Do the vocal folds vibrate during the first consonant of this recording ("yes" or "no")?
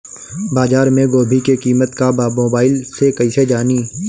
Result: yes